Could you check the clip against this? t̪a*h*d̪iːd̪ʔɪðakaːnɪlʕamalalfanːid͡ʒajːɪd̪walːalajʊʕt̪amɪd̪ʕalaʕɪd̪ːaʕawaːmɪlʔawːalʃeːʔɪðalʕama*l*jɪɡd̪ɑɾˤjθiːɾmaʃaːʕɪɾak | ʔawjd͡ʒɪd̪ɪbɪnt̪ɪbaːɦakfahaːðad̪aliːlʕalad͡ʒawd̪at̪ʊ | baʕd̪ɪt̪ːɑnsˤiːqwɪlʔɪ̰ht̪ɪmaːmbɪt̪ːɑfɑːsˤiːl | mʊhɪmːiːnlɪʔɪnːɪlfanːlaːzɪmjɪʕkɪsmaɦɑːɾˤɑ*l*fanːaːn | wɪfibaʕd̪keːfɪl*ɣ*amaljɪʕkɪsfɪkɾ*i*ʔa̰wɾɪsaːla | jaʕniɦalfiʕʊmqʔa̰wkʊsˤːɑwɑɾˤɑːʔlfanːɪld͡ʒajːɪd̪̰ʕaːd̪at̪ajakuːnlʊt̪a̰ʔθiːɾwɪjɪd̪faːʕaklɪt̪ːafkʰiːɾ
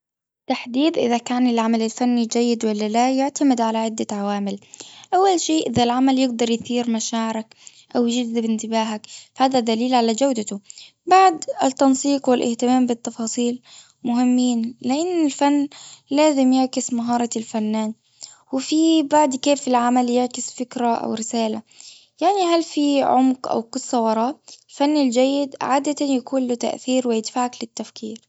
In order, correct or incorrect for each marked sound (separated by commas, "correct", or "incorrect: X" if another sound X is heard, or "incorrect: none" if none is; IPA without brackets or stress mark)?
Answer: incorrect: ħ, correct, correct, incorrect: ʕ, incorrect: a